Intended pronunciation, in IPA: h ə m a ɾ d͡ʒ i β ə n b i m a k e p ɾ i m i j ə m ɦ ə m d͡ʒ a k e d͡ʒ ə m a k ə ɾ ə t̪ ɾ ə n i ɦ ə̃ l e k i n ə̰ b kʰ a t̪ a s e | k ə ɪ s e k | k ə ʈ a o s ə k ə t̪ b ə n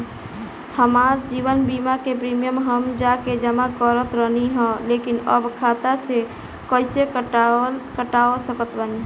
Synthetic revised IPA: h ə m a ɾ d͡ʒ i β ə n b i m a k e p ɾ i m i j ə m ɦ ə m d͡ʒ a k e d͡ʒ ə m a k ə ɾ ə t̪ ɾ ə n i ɦ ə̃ l e k i n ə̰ b kʰ a t̪ a s e | k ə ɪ s e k | k ə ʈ a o s ə k ə t̪ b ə n